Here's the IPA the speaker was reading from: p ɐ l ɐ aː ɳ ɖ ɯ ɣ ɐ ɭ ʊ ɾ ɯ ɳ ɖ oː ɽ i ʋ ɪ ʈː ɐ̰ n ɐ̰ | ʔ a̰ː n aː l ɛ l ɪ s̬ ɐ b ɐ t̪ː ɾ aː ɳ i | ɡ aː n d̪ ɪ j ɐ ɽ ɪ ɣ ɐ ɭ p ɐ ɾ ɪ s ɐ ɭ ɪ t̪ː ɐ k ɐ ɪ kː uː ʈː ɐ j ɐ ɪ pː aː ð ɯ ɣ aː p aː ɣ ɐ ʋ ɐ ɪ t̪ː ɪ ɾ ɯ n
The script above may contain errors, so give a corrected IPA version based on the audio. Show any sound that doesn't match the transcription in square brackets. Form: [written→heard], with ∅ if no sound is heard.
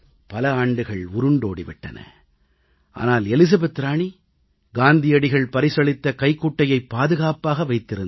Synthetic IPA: p ɐ l ɐ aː ɳ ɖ ɯ ɣ ɐ ɭ ʊ ɾ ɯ ɳ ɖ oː ɽ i ʋ ɪ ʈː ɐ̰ n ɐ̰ | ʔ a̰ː n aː l ɛ l ɪ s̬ ɐ b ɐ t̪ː ɾ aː ɳ i | ɡ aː n d̪ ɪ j ɐ ɽ ɪ ɣ ɐ ɭ p ɐ ɾ ɪ s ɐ ɭ ɪ t̪ː ɐ k ɐ ɪ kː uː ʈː ɐ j ɐ ɪ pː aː ð ɯ ɣ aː p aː ɣ ɐ ʋ ɐ ɪ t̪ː ɪ ɾ ɯ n